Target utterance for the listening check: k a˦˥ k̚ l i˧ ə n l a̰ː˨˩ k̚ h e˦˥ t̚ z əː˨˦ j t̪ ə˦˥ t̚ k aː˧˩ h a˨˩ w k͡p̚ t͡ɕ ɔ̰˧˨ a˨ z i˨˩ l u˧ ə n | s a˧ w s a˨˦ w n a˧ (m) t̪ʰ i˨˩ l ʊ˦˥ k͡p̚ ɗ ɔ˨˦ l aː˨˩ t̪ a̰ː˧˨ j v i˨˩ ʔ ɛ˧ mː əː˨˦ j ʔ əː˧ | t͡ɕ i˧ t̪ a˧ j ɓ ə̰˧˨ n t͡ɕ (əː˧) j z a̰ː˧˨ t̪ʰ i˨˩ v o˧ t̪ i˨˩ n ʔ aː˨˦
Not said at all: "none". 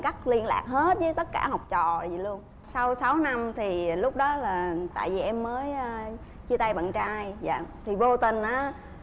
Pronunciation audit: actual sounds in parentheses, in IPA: m, aː˧

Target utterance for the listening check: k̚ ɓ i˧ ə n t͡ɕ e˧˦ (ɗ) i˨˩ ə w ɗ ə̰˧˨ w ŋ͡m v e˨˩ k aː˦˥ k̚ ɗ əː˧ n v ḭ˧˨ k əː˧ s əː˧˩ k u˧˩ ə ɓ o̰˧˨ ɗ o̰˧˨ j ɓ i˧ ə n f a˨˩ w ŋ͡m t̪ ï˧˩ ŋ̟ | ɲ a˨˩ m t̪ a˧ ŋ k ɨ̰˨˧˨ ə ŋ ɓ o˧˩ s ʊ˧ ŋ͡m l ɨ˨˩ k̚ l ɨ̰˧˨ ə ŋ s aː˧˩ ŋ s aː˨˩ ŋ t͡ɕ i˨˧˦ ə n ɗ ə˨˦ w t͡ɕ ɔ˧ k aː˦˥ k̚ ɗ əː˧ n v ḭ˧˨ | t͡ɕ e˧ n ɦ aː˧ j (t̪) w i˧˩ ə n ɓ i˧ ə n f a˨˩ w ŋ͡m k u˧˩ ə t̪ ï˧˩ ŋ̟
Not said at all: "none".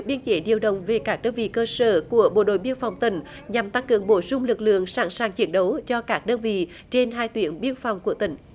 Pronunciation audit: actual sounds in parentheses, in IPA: ɗ, t̪

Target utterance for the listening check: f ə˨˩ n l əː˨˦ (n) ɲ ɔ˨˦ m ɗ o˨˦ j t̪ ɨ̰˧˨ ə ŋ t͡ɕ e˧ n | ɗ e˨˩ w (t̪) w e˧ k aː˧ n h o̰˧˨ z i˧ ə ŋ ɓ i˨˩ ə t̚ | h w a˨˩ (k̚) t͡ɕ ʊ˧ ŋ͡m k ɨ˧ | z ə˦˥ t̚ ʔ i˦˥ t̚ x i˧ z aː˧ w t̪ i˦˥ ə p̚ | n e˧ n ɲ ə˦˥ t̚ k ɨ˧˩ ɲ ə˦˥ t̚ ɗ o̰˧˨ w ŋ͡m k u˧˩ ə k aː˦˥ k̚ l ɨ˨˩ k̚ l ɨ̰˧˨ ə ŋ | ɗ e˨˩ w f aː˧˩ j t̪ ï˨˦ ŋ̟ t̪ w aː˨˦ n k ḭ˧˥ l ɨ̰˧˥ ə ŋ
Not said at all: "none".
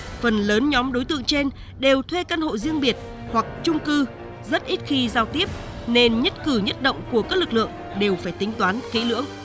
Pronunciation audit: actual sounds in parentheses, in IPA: n, t̪ʰ, k̚

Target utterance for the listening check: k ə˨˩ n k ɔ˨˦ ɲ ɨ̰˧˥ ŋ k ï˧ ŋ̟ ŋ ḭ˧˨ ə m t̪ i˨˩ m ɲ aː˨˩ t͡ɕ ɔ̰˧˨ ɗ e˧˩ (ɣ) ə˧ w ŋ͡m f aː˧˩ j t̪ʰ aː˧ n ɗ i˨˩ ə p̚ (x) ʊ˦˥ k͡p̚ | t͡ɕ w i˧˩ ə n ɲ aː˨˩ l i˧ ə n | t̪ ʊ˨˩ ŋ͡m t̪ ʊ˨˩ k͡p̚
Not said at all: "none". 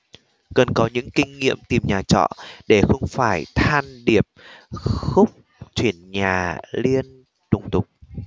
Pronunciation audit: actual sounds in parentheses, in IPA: x, x

